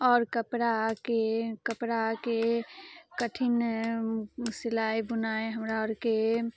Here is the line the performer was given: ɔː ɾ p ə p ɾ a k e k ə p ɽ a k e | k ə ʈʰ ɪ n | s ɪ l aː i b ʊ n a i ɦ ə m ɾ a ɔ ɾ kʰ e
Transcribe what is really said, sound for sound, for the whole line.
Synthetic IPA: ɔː ɾ k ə p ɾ a k e k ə p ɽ a k e | k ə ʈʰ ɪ n | s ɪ l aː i b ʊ n a e ɦ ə m ɾ a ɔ ɾ k e